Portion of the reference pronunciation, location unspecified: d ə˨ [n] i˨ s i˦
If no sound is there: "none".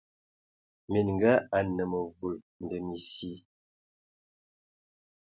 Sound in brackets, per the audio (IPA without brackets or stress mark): m